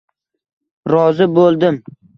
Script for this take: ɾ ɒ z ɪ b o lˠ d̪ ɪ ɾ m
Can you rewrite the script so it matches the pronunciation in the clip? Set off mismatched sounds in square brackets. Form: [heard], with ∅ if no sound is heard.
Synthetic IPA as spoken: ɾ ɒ z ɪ b o lˠ d̪ ɪ [∅] m